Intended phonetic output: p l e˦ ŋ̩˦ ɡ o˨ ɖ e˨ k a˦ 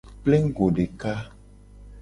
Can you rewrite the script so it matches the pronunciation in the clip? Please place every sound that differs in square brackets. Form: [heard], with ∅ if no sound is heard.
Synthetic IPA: p l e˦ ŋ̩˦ ɡ o˨ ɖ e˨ k a˦